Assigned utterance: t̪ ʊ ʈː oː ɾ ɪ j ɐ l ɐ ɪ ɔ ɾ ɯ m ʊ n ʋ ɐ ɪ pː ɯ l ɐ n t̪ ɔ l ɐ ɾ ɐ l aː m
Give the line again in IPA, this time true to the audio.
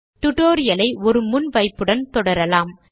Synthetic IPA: t̪ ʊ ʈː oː ɾ ɪ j ɐ l ɐ ɪ ɔ ɾ ɯ m ʊ n ʋ ɐ ɪ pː ɯ ɽ ɐ n t̪ ɔ ɽ ɐ ɾ ɐ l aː m